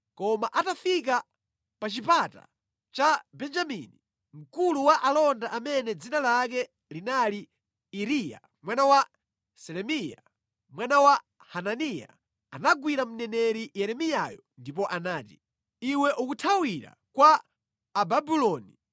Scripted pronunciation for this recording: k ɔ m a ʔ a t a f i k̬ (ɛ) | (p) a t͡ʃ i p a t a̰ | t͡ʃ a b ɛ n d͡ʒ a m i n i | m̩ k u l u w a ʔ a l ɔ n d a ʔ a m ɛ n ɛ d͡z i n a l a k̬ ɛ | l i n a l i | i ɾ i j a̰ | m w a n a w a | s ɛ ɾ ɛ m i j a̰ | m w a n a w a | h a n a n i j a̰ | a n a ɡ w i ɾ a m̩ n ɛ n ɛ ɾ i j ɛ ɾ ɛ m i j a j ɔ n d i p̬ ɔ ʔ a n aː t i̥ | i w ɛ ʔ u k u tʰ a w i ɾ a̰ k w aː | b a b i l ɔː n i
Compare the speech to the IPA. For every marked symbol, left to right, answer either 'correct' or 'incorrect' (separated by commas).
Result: incorrect, correct